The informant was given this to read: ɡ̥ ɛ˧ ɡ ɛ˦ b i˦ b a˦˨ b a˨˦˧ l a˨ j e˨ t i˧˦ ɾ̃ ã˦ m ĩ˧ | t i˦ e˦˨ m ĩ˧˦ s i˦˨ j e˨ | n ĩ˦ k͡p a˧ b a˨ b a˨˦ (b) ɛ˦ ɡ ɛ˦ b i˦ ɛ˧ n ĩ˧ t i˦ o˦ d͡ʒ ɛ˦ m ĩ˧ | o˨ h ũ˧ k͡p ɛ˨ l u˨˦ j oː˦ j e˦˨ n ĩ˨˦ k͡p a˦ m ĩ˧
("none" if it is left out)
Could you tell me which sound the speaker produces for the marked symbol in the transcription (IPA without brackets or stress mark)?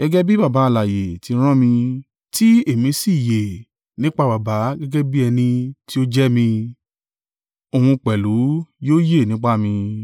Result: ɡ